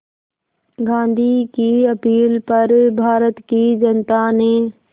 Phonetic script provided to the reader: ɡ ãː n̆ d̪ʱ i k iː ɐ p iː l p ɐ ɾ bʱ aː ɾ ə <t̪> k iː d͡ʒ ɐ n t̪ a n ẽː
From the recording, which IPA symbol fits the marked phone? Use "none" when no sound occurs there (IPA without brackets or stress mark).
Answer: t̪